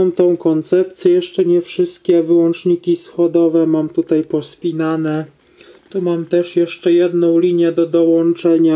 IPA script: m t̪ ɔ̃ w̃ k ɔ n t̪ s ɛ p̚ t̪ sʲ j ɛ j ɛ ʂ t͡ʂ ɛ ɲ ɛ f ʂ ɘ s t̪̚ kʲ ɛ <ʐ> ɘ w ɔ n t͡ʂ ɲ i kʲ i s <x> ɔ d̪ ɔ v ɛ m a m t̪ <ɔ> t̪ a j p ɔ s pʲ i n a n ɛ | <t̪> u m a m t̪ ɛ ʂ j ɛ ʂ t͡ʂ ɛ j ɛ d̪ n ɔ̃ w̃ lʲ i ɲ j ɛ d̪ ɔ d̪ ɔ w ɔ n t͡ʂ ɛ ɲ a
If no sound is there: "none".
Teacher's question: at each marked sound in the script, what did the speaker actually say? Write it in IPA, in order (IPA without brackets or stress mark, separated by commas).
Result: v, x, u, t̪